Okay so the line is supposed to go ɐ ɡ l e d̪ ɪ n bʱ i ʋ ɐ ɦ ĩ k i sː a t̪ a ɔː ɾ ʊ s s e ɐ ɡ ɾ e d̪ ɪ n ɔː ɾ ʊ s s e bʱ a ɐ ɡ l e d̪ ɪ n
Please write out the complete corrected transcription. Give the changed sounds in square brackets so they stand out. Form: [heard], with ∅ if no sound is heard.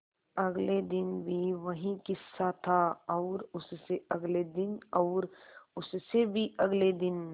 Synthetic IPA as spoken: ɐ ɡ l e d̪ ɪ n bʱ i ʋ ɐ ɦ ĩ k [ɪ] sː a [t̪ʰ] a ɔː ɾ ʊ s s e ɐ ɡ [l] e d̪ ɪ n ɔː ɾ ʊ s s e bʱ [i] ɐ ɡ l e d̪ ɪ n